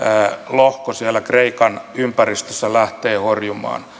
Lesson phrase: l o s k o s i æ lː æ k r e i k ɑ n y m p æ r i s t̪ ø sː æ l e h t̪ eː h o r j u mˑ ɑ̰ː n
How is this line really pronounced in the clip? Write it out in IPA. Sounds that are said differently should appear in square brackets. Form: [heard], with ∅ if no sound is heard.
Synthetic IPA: l o [h] k o s i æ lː æ k r e i k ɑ n y m p æ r i s t̪ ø sː æ l [æ] h t̪ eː h o r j u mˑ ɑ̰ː n